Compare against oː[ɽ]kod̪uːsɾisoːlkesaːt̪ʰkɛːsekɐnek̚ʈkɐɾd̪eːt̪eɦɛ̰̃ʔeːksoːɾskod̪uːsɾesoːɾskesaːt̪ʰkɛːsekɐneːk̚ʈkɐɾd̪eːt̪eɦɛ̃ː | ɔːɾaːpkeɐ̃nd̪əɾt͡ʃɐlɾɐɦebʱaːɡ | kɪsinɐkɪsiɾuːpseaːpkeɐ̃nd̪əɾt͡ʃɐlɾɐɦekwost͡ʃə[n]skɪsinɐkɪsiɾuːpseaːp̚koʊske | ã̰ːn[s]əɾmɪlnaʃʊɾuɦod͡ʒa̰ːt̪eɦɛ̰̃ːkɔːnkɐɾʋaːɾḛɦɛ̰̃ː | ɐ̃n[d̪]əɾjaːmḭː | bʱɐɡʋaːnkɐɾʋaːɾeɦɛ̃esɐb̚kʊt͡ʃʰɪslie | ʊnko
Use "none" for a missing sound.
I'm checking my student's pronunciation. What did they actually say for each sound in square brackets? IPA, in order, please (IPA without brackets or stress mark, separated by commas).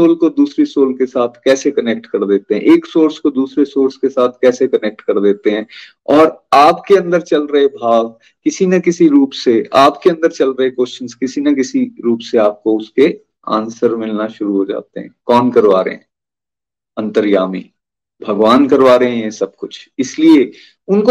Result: l, n, s, t̪